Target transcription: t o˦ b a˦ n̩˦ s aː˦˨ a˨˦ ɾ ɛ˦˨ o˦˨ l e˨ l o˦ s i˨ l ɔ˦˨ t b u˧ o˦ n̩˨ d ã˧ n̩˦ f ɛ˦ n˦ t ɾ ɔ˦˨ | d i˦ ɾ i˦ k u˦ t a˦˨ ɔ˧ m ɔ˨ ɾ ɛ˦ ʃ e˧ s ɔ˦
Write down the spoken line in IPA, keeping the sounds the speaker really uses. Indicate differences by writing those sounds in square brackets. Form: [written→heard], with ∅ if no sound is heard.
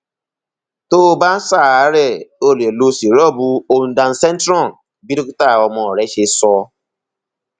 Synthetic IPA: t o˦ b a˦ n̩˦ s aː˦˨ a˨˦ ɾ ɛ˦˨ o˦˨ l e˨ l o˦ s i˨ [l→ɾ] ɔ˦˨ [t→∅] b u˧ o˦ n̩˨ d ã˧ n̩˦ [f→s] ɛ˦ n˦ t ɾ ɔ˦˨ | [d→b] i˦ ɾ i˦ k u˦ t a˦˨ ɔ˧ m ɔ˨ ɾ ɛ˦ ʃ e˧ s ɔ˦